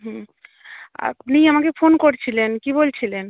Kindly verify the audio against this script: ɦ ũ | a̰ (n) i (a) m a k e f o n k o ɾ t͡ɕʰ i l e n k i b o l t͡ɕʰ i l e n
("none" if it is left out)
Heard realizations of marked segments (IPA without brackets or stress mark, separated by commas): n, a